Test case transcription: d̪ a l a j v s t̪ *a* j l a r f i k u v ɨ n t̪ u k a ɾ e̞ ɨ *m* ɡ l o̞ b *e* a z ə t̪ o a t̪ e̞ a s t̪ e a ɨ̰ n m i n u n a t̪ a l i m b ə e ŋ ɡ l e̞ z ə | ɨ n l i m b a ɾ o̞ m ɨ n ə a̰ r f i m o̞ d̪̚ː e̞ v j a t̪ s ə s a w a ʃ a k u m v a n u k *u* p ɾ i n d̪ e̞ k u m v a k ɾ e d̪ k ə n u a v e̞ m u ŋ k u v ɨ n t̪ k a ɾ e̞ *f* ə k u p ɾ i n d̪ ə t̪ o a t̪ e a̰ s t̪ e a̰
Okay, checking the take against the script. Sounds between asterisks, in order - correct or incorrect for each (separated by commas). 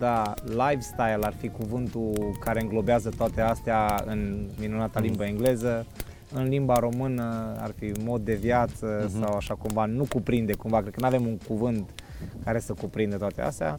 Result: correct, incorrect, correct, correct, incorrect